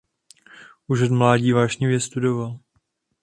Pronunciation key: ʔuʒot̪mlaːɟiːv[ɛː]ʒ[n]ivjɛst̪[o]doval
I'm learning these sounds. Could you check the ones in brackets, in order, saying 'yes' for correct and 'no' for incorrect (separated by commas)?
no, no, no